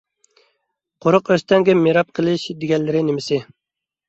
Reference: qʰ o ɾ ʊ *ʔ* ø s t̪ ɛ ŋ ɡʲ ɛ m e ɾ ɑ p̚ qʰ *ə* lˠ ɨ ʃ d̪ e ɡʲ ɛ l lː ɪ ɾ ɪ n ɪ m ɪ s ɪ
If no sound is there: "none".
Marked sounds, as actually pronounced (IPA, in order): q, ə

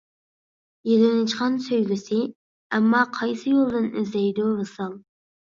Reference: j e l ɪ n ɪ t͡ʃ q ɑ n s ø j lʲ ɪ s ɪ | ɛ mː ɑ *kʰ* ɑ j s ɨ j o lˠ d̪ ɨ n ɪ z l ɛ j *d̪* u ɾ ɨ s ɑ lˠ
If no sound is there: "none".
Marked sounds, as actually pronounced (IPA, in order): qʰ, d̪

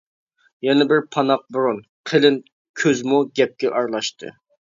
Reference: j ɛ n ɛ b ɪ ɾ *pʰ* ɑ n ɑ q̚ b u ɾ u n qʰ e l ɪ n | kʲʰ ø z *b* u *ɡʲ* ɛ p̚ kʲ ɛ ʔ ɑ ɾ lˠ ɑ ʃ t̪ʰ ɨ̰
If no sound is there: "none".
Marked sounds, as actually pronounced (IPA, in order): pʰ, m, ɡʲ

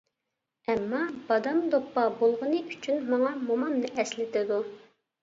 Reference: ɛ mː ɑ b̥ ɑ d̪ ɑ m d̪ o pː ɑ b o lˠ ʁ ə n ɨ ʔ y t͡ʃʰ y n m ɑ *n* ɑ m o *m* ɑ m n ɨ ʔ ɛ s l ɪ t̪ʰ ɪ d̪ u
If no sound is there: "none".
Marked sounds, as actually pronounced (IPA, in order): ŋ, m

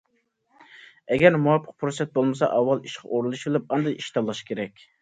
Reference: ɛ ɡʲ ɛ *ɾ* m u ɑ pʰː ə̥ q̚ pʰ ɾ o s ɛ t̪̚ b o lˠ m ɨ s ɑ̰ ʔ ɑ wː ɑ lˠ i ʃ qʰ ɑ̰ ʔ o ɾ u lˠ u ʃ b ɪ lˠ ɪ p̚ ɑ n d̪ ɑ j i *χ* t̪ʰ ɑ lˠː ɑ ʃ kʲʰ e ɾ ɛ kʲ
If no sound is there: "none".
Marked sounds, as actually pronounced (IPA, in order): ɾ, ʃ

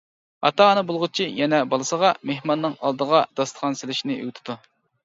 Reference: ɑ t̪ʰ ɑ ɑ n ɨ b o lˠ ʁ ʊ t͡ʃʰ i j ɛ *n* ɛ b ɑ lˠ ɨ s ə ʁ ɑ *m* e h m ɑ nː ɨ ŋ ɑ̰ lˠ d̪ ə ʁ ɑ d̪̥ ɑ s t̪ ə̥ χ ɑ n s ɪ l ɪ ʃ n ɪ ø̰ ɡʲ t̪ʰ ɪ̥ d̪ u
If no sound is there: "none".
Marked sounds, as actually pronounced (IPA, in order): n, m

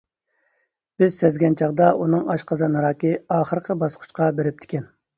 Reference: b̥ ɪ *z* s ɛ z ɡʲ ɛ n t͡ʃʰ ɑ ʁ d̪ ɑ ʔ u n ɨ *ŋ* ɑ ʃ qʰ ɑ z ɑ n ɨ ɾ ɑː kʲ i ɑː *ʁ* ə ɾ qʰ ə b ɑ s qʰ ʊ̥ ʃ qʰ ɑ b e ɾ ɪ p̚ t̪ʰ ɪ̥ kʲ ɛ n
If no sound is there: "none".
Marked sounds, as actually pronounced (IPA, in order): z, ŋ, χ

